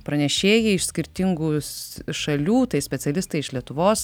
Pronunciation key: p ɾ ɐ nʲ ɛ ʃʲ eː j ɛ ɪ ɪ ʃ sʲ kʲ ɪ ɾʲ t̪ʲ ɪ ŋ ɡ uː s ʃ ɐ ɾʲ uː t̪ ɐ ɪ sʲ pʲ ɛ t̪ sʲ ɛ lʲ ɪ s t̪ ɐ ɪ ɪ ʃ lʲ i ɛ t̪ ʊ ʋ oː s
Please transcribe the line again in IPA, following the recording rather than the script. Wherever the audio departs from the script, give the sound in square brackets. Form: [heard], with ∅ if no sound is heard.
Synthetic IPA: p ɾ ɐ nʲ ɛ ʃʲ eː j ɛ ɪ ɪ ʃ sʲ kʲ ɪ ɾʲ t̪ʲ ɪ ŋ ɡ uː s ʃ ɐ [lʲ] uː t̪ ɐ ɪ sʲ pʲ ɛ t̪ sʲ ɛ lʲ ɪ s t̪ ɐ ɪ ɪ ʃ lʲ i ɛ t̪ ʊ ʋ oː s